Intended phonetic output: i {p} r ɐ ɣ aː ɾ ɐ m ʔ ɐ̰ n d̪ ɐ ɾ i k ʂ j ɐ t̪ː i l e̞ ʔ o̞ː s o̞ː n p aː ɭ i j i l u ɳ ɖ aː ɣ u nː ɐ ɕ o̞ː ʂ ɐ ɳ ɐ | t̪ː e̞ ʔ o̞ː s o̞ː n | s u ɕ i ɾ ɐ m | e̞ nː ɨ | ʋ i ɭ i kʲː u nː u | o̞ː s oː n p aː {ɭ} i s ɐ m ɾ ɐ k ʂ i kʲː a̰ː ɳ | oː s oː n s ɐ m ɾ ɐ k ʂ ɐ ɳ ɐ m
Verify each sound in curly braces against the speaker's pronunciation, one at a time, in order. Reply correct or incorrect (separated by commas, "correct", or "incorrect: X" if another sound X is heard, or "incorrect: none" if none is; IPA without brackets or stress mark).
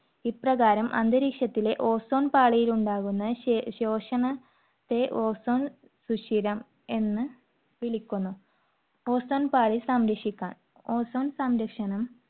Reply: correct, correct